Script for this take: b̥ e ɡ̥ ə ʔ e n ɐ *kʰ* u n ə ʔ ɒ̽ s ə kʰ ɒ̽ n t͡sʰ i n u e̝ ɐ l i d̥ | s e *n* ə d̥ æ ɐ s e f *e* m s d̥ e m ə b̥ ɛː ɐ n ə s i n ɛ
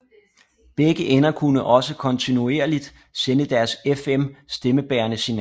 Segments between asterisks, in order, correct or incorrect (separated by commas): correct, correct, correct